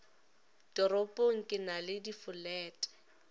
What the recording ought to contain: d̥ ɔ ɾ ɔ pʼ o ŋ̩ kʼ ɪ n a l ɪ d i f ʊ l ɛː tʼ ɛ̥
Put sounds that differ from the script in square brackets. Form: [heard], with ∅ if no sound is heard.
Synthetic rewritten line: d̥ ɔ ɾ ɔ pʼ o ŋ̩ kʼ ɪ n a l ɪ d i f ʊ l ɛː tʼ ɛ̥